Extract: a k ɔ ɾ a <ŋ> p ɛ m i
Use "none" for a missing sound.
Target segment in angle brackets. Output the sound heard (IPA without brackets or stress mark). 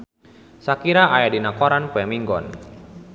n